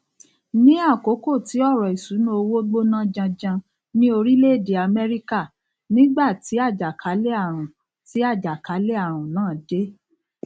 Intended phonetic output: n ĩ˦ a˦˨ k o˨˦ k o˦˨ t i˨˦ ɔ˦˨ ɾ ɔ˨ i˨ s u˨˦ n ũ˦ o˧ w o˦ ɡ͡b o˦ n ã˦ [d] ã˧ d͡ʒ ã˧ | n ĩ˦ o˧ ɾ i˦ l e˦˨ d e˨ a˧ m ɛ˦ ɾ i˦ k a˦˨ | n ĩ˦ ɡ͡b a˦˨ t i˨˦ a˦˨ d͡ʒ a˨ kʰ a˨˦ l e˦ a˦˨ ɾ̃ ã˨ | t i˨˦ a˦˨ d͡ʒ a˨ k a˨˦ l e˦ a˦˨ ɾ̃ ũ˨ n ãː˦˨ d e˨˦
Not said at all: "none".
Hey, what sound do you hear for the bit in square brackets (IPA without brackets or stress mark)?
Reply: d͡ʒ